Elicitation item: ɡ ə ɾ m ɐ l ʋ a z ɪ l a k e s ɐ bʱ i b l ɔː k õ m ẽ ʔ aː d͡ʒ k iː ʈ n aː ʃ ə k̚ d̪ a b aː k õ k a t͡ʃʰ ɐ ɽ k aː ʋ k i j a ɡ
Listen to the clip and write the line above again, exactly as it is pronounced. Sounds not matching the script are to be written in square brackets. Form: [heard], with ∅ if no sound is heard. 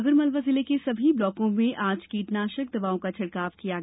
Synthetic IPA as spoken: ɡ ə ɾ m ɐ l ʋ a z ɪ l [e] k e s ɐ bʱ i b l ɔː k õ m ẽ ʔ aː d͡ʒ k iː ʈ n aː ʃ ə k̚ d̪ [ɐ] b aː [∅] õ k a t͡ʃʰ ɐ ɽ k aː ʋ k i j a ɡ